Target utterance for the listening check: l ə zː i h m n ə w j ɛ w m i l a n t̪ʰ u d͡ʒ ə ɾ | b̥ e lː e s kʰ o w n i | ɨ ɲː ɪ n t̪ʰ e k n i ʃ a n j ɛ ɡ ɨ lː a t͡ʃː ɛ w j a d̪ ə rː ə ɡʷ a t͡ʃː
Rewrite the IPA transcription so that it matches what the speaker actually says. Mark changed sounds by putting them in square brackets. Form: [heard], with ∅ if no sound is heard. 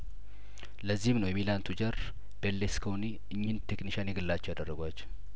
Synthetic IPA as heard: l ə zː i h m n ə w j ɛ [∅] m i l a n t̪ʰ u d͡ʒ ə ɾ | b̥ e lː e s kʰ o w n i | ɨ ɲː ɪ n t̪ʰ e k n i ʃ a n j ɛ ɡ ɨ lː a t͡ʃː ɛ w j a d̪ ə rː ə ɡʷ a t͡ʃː